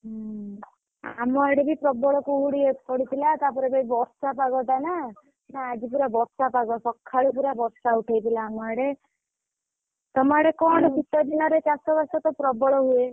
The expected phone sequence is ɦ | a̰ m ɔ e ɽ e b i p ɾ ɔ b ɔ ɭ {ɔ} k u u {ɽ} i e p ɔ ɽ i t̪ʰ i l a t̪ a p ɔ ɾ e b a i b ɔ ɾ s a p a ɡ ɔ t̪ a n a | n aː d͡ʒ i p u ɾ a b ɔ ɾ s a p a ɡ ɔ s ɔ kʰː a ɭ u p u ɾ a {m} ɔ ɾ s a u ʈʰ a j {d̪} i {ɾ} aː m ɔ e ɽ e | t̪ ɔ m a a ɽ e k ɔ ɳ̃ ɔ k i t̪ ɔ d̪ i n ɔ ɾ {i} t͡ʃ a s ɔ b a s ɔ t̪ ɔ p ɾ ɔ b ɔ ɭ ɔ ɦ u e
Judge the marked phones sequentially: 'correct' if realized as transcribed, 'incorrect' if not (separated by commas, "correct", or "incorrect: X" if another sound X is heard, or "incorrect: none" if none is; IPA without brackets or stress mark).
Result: correct, correct, incorrect: b, incorrect: t̪, incorrect: l, incorrect: e